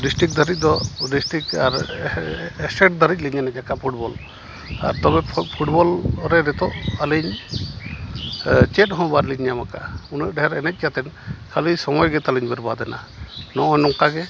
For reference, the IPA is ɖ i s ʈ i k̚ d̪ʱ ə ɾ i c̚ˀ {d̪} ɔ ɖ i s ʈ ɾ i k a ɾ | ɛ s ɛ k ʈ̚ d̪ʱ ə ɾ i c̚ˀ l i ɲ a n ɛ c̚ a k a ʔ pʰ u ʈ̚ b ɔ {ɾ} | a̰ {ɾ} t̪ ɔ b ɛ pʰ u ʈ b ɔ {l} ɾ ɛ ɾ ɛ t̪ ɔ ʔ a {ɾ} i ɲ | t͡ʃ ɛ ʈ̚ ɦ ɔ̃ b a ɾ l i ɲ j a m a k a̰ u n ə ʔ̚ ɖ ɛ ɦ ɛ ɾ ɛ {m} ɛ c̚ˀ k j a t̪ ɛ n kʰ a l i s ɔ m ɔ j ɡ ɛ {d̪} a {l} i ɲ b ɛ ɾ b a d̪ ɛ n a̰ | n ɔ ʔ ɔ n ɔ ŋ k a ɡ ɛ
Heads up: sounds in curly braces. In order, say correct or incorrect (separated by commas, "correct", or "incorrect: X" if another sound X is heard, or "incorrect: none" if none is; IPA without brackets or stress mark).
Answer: correct, incorrect: l, correct, correct, incorrect: l, incorrect: n, incorrect: t̪, correct